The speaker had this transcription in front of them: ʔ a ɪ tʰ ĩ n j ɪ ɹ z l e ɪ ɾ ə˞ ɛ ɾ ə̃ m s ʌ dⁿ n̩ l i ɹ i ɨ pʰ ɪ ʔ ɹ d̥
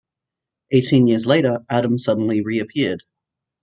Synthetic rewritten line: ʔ e ɪ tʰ ĩ n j ɪ ɹ z l e ɪ ɾ ə˞ æ ɾ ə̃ m s ʌ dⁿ n̩ l i ɹ i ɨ pʰ ɪ ɹ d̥